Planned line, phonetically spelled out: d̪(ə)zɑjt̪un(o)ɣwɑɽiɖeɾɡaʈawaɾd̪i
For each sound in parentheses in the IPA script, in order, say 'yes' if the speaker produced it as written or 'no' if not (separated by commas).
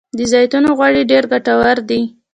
yes, yes